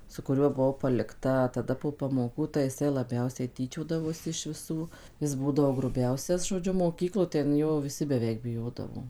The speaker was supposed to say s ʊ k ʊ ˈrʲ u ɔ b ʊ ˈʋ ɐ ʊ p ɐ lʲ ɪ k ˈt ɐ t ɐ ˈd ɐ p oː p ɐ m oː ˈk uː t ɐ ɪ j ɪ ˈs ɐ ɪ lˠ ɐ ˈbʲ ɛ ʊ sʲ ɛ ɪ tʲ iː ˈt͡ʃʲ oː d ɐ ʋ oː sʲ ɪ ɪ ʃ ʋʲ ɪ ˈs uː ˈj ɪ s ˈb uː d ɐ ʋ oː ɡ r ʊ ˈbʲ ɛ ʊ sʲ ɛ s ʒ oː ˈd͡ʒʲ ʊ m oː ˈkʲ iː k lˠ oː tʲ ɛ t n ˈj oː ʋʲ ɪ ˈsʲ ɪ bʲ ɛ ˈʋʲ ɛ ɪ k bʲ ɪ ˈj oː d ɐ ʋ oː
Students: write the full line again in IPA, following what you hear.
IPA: s ʊ k ʊ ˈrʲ u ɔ b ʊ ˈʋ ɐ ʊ p ɐ lʲ ɪ k ˈt ɐ t ɐ ˈd ɐ p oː p ɐ m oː ˈk uː t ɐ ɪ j ɪ ˈs ɐ ɪ lˠ ɐ ˈbʲ ɛ ʊ sʲ ɛ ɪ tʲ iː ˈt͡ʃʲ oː d ɐ ʋ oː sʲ ɪ ɪ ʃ ʋʲ ɪ ˈs uː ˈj ɪ s ˈb uː d ɐ ʋ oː ɡ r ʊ ˈbʲ ɛ ʊ sʲ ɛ s ʒ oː ˈd͡ʒʲ ʊ m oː ˈkʲ iː k lˠ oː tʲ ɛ n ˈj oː ʋʲ ɪ ˈsʲ ɪ bʲ ɛ ˈʋʲ ɛ ɪ k bʲ ɪ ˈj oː d ɐ ʋ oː

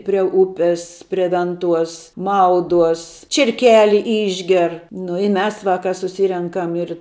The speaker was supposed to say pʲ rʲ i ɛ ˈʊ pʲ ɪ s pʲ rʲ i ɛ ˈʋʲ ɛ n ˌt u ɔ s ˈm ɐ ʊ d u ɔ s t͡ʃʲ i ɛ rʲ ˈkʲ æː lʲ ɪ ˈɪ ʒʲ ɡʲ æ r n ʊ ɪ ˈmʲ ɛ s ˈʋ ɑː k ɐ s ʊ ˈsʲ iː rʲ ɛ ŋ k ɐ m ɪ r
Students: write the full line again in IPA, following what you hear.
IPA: pʲ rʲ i ɛ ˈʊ pʲ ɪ s pʲ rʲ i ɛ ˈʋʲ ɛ n ˌt u ɔ s ˈm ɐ ʊ d u ɔ s t͡ʃʲ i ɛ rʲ ˈkʲ æː lʲ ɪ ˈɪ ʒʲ ɡʲ ɛ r n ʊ ɪ ˈmʲ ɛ s ˈʋ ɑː k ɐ s ʊ ˈsʲ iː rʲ ɛ ŋ k ɐ m ɪ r

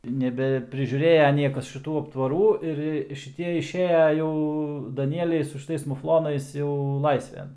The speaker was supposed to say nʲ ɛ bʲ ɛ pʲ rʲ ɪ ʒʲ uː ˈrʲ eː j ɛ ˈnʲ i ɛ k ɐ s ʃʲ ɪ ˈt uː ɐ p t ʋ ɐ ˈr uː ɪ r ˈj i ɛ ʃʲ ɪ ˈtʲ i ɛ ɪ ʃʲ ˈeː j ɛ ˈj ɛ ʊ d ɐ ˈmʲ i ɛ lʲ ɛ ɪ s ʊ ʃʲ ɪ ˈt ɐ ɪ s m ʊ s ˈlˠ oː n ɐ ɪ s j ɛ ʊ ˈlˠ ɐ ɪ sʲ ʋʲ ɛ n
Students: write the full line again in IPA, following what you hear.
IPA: nʲ ɛ bʲ ɛ pʲ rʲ ɪ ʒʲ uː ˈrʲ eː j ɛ ˈnʲ i ɛ k ɐ s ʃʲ ɪ ˈt uː ɐ p t ʋ ɐ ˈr uː ɪ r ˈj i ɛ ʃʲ ɪ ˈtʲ i ɛ ɪ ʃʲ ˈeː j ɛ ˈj ɛ ʊ d ɐ ˈnʲ i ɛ lʲ ɛ ɪ s ʊ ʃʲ ɪ ˈt ɐ ɪ s m ʊ f ˈlˠ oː n ɐ ɪ s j ɛ ʊ ˈlˠ ɐ ɪ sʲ ʋʲ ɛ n

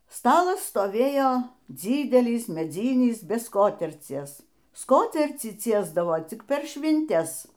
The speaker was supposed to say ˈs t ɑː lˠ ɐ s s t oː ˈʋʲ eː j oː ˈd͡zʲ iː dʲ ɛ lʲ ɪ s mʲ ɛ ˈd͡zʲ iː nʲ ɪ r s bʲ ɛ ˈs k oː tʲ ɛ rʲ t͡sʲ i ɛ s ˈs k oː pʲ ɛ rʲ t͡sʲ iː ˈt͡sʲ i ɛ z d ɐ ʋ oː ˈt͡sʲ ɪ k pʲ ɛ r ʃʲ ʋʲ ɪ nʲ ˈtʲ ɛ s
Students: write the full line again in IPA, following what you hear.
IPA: ˈs t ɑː lˠ ɐ s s t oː ˈʋʲ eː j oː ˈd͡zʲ iː dʲ ɛ lʲ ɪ s mʲ ɛ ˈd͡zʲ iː nʲ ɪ s bʲ ɛ ˈs k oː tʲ ɛ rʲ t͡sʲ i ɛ s ˈs k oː tʲ ɛ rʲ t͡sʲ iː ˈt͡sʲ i ɛ z d ɐ ʋ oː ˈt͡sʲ ɪ k pʲ ɛ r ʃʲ ʋʲ ɪ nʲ ˈtʲ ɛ s

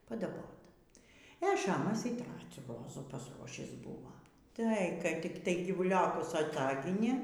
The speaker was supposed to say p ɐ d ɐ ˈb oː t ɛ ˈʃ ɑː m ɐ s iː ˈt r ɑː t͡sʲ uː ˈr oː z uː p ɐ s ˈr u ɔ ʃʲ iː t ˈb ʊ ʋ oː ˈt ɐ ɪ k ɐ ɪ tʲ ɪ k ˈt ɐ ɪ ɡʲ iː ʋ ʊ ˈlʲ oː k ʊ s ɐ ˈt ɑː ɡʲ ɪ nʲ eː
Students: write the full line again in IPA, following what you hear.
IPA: p ɐ d ɐ ˈb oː t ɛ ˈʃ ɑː m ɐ s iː ˈt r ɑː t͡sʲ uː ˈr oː z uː p ɐ s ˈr u ɔ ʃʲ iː s ˈb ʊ ʋ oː ˈt ɐ ɪ k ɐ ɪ tʲ ɪ k ˈt ɐ ɪ ɡʲ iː ʋ ʊ ˈlʲ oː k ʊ s ɐ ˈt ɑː ɡʲ ɪ nʲ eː

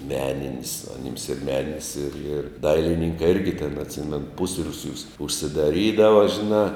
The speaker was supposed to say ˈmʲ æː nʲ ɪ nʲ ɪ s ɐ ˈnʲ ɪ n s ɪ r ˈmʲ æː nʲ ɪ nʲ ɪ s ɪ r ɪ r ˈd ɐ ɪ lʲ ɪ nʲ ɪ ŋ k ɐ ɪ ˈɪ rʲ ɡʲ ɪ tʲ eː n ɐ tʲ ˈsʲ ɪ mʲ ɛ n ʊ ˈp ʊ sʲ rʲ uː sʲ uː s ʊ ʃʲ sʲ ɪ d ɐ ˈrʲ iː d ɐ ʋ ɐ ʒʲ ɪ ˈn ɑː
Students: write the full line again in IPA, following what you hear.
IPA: ˈmʲ æː nʲ ɪ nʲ ɪ s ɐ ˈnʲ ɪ m s ɪ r ˈmʲ æː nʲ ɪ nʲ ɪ s ɪ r ɪ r ˈd ɐ ɪ lʲ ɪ nʲ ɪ ŋ k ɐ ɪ ˈɪ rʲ ɡʲ ɪ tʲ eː n ɐ tʲ ˈsʲ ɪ mʲ ɛ n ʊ ˈp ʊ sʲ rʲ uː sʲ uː s ʊ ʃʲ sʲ ɪ d ɐ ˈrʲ iː d ɐ ʋ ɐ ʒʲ ɪ ˈn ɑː

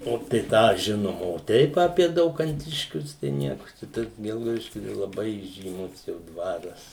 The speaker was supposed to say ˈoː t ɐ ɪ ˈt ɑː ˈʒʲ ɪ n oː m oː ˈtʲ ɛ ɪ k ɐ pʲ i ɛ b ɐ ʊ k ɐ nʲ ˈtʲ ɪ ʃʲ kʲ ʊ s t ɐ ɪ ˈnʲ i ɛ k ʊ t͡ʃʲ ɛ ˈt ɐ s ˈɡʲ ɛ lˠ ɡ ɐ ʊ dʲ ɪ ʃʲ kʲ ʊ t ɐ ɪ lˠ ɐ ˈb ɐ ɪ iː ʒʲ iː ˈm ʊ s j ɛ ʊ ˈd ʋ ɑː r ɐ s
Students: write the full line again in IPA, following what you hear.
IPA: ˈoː t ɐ ɪ ˈt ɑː ˈʒʲ ɪ n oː m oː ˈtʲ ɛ ɪ p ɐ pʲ i ɛ d ɐ ʊ k ɐ nʲ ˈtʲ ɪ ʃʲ kʲ ʊ s t ɐ ɪ ˈnʲ i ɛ k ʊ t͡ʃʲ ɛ ˈt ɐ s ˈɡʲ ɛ lˠ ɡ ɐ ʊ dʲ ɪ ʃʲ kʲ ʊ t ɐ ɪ lˠ ɐ ˈb ɐ ɪ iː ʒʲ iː ˈm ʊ s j ɛ ʊ ˈd ʋ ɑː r ɐ s

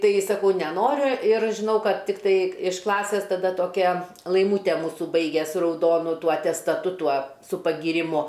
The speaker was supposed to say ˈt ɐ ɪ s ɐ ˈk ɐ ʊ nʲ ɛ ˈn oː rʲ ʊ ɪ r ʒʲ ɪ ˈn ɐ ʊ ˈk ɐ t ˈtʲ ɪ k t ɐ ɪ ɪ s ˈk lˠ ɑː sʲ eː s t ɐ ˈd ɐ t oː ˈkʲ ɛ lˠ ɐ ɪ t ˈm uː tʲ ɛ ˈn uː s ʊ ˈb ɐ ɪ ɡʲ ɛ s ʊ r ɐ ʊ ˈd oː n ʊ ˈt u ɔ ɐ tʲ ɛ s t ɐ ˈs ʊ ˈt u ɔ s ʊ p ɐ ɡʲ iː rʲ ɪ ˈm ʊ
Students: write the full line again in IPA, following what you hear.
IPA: ˈt ɐ ɪ s ɐ ˈk ɐ ʊ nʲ ɛ ˈn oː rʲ ʊ ɪ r ʒʲ ɪ ˈn ɐ ʊ ˈk ɐ t ˈtʲ ɪ k t ɐ ɪ ɪ ʃ ˈk lˠ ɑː sʲ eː s t ɐ ˈd ɐ t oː ˈkʲ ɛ lˠ ɐ ɪ ˈm uː tʲ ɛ ˈm uː s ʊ ˈb ɐ ɪ ɡʲ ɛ s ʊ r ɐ ʊ ˈd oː n ʊ ˈt u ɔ ɐ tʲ ɛ s t ɐ ˈt ʊ ˈt u ɔ s ʊ p ɐ ɡʲ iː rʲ ɪ ˈm ʊ

